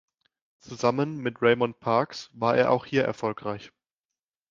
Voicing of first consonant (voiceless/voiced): voiceless